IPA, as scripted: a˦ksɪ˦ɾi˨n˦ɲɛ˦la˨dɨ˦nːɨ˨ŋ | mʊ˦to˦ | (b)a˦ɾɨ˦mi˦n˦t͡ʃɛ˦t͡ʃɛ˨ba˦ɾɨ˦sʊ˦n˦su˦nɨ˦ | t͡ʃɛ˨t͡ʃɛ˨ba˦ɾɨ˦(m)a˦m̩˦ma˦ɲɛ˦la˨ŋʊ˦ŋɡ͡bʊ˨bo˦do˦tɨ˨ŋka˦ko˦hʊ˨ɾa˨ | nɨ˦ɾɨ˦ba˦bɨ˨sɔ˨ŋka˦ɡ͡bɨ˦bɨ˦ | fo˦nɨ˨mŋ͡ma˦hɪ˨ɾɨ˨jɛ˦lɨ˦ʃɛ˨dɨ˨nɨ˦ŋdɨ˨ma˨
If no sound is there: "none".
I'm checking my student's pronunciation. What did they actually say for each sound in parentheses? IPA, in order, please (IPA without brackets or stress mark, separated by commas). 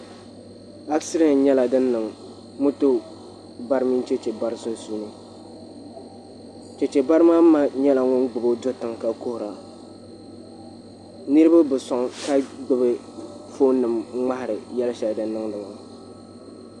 b, m